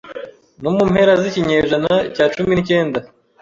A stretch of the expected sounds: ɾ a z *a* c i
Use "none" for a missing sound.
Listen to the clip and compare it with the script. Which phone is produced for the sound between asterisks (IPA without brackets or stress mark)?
i